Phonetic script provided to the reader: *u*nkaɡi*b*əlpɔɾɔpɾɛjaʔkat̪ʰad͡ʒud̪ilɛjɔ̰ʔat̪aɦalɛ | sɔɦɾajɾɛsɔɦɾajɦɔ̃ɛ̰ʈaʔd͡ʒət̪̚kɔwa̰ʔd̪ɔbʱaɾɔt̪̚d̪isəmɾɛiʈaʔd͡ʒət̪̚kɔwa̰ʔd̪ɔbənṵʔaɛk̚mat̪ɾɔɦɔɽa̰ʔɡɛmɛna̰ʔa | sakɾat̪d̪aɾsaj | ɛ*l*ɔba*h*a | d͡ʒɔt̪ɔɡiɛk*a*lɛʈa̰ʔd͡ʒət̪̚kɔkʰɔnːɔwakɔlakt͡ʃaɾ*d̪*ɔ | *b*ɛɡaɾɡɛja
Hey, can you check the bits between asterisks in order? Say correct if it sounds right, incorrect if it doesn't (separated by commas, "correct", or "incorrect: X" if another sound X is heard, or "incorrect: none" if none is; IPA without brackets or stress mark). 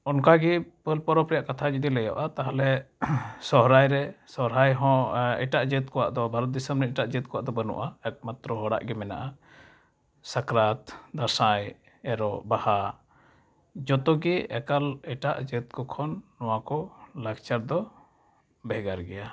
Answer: incorrect: ɔ, incorrect: p, incorrect: ɾ, correct, correct, correct, correct